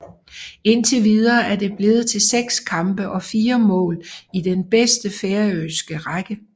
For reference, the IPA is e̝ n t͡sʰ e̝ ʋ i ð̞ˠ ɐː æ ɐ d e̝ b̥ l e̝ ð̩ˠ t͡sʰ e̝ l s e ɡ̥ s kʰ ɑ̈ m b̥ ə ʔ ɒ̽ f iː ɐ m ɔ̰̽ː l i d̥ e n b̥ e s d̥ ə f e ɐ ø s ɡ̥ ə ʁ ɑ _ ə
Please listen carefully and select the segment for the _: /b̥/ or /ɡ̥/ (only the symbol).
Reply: ɡ̥